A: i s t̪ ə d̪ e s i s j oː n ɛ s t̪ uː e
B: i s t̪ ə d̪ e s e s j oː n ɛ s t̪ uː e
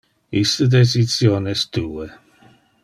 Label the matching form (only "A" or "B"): A